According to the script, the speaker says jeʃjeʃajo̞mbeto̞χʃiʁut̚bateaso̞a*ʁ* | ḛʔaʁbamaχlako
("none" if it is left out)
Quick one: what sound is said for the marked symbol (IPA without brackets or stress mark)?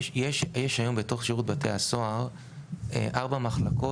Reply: ʁ